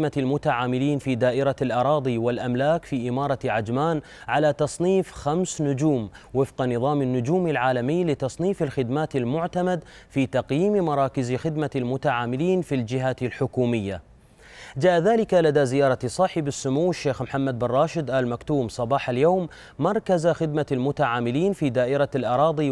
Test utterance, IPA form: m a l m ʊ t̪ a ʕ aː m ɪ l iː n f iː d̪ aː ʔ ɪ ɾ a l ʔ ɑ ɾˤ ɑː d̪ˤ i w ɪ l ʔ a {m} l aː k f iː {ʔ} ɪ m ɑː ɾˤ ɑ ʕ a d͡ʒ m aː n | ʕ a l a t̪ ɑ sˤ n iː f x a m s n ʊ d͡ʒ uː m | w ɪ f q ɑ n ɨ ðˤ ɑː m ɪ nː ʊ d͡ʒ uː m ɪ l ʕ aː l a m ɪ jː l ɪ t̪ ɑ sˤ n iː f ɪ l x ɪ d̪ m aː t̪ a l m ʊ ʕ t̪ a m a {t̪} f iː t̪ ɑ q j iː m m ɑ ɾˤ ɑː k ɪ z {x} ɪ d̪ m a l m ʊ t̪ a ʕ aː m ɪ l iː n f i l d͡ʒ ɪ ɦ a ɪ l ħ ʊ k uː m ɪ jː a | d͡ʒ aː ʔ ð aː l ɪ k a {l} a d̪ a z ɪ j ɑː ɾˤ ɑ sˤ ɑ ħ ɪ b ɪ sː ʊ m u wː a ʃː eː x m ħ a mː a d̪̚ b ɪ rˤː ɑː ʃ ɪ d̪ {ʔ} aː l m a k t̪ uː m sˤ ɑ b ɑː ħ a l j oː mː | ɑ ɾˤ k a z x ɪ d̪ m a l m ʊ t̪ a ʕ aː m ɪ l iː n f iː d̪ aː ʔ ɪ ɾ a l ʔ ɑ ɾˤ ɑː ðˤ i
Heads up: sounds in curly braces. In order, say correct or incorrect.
correct, correct, incorrect: d̪, correct, correct, correct

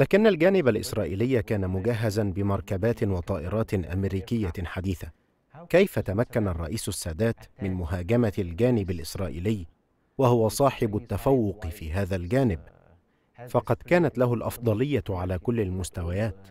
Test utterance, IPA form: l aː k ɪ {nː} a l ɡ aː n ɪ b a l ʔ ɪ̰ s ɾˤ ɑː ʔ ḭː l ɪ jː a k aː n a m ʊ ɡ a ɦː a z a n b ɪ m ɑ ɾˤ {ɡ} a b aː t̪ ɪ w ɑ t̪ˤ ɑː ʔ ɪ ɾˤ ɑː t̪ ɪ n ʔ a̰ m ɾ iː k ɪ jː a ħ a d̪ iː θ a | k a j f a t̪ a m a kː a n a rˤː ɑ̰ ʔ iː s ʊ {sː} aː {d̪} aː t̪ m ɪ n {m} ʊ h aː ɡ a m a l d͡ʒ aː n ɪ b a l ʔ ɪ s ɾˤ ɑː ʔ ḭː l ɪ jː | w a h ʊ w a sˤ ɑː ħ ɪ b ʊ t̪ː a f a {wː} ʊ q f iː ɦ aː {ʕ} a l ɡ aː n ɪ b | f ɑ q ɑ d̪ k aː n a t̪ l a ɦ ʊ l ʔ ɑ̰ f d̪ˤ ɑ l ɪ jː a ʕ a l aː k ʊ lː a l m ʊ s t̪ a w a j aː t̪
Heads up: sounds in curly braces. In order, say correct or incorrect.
correct, incorrect: k, correct, correct, correct, correct, incorrect: ð

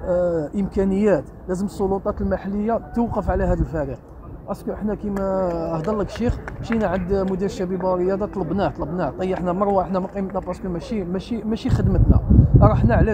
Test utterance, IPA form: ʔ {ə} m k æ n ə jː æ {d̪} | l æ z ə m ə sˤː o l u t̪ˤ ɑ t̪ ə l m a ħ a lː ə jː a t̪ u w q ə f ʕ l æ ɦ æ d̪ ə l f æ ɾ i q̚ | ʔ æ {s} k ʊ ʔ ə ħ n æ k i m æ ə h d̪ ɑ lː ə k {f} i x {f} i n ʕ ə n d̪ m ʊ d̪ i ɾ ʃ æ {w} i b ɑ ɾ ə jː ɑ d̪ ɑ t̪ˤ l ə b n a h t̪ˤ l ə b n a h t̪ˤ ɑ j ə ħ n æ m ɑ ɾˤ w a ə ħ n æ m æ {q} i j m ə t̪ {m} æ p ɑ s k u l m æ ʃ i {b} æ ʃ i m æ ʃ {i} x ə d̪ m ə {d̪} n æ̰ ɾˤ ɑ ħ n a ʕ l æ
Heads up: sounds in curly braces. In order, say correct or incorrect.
correct, incorrect: t̪, correct, incorrect: ʃ, incorrect: ʃ, incorrect: b, correct, incorrect: n, incorrect: m, correct, incorrect: t̪

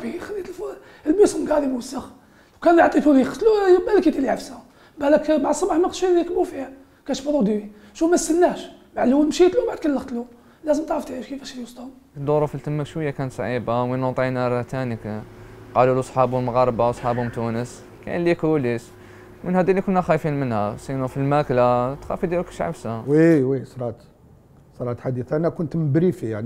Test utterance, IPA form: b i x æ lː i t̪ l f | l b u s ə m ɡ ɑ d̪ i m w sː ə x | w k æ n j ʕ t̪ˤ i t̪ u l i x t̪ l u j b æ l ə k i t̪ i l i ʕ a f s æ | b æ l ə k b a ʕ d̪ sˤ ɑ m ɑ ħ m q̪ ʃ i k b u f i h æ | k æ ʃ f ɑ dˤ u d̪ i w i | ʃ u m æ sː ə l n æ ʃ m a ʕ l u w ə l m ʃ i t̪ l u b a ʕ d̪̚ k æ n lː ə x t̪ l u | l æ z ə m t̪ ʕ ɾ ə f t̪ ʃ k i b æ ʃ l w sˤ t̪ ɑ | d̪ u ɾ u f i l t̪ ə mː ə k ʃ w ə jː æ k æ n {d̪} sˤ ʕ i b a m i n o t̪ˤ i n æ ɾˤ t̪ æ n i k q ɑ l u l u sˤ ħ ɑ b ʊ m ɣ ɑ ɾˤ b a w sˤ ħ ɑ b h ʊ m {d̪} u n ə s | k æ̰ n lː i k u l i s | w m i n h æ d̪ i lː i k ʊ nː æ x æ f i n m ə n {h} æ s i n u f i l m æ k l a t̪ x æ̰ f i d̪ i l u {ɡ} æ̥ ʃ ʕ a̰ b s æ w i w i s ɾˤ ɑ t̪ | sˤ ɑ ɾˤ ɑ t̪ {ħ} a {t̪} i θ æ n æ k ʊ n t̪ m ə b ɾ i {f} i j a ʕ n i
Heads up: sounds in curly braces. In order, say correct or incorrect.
incorrect: t̪, incorrect: t̪, correct, incorrect: k, correct, incorrect: d̪, correct

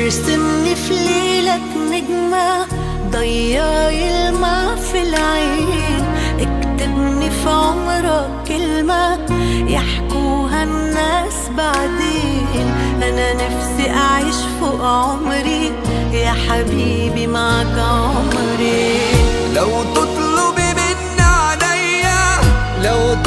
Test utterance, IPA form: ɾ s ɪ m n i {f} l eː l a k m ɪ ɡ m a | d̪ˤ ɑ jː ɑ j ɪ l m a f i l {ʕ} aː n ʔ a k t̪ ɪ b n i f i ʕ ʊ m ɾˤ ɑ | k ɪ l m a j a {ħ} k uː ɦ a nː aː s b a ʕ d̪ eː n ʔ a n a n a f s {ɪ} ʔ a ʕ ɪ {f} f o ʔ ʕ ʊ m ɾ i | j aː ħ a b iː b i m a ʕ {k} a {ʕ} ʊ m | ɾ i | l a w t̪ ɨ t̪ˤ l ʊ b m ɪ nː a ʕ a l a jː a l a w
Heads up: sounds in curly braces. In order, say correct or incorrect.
correct, correct, correct, incorrect: i, incorrect: ʃ, correct, correct

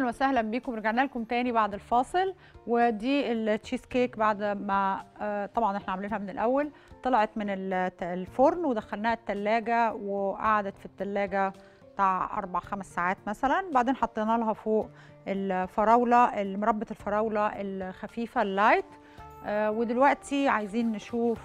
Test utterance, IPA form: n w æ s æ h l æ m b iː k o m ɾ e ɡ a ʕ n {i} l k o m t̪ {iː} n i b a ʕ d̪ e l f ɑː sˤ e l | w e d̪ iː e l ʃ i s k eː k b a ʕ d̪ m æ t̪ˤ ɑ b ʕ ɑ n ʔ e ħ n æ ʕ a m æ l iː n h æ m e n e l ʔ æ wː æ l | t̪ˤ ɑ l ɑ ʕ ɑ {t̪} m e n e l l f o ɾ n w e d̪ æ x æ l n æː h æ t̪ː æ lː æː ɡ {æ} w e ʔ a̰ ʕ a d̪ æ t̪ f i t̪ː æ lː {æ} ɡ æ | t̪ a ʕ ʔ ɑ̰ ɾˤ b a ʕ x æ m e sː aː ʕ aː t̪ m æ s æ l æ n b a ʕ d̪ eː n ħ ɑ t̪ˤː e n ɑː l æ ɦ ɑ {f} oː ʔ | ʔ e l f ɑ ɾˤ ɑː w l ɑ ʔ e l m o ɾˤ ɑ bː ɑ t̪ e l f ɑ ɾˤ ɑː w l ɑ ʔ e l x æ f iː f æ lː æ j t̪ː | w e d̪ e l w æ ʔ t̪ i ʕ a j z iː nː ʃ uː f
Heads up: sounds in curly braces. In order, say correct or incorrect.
incorrect: æ, incorrect: æː, correct, correct, incorrect: æː, correct

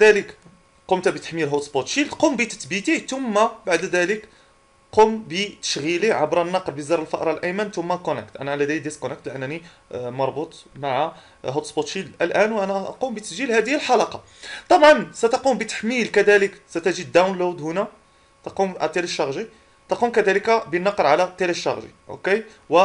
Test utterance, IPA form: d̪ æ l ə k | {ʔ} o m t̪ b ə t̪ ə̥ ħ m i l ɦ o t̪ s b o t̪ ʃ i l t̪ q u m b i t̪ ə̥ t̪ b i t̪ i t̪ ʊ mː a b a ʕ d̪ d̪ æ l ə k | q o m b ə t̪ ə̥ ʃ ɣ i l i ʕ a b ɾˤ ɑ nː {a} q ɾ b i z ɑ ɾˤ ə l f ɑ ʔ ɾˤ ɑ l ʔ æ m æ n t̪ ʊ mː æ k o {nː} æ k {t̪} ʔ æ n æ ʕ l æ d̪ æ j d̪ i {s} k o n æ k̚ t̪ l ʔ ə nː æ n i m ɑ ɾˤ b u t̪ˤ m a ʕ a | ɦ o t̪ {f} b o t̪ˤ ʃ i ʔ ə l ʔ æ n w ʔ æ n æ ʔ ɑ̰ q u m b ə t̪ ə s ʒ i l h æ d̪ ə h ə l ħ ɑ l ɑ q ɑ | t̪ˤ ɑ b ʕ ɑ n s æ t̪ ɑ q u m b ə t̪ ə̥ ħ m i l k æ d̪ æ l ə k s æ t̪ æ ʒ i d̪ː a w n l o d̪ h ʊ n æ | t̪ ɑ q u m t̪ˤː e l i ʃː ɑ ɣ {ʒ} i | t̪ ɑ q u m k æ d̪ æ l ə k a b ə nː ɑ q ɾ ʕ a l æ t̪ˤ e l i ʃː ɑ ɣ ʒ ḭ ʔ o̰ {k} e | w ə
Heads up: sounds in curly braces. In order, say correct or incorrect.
incorrect: q, incorrect: ɑ, incorrect: n, correct, correct, incorrect: s, correct, correct

